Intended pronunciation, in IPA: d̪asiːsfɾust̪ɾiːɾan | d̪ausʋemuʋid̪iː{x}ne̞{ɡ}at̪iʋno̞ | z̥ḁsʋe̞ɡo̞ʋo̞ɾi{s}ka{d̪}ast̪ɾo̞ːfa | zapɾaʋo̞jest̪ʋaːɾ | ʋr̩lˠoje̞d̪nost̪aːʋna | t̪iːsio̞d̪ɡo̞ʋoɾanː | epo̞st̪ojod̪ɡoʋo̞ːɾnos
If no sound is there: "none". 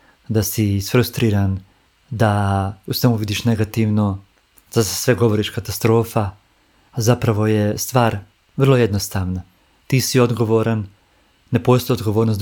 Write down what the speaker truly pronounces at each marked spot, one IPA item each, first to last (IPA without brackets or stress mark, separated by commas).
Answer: ʃ, ɡ, ʃ, t̪